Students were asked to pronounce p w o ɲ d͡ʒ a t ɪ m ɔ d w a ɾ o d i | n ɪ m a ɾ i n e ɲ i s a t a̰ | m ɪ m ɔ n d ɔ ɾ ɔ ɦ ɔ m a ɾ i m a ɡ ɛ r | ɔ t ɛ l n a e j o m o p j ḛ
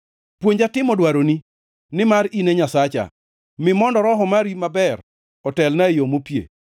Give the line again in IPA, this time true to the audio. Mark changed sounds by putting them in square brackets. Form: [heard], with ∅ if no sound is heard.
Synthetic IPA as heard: p w o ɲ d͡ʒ a t ɪ m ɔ d w a ɾ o [n] i | n ɪ m a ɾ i n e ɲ [a] s a [t͡ʃ] a̰ | m ɪ m ɔ n d ɔ ɾ ɔ ɦ ɔ m a ɾ i m a [b] ɛ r | ɔ t ɛ l n a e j o m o p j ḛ